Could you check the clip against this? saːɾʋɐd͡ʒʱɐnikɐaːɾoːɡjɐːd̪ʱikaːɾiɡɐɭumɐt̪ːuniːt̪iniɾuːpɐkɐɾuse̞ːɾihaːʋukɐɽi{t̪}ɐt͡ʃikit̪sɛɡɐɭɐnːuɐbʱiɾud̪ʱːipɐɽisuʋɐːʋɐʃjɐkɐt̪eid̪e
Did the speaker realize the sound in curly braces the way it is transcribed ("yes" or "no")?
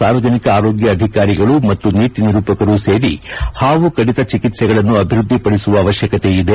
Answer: yes